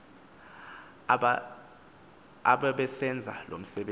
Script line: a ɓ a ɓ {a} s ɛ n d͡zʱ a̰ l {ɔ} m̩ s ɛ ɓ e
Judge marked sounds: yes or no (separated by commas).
no, no